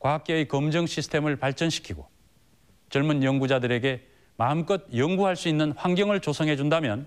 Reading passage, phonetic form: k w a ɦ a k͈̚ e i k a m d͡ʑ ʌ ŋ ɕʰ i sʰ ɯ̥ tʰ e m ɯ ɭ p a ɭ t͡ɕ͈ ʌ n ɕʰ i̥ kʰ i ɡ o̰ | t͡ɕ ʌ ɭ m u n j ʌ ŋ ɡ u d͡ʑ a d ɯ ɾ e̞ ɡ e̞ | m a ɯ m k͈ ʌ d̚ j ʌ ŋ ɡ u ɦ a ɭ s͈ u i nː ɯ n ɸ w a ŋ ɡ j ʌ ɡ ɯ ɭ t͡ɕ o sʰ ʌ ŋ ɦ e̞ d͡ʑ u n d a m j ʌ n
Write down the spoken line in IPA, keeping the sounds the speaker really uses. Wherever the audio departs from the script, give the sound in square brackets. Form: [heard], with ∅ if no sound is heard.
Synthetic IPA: k w a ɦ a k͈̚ e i k [ʌ] m d͡ʑ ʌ ŋ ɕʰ i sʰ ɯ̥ tʰ e m ɯ ɭ p a ɭ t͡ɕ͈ ʌ n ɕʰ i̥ kʰ i ɡ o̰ | t͡ɕ ʌ ɭ m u n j ʌ ŋ ɡ u d͡ʑ a d ɯ ɾ e̞ ɡ e̞ | m a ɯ m k͈ ʌ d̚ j ʌ ŋ ɡ u ɦ a ɭ s͈ u i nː ɯ n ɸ w a ŋ ɡ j ʌ [ŋ] ɯ ɭ t͡ɕ o sʰ ʌ ŋ ɦ e̞ d͡ʑ u n d a m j ʌ n